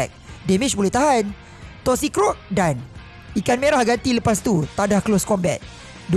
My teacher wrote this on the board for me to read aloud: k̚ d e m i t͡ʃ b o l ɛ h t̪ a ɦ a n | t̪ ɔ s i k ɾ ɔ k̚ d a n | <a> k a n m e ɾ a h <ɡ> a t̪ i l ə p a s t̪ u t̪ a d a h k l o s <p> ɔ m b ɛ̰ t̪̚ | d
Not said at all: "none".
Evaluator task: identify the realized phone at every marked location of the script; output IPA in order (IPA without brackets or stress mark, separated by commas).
i, ɡ, k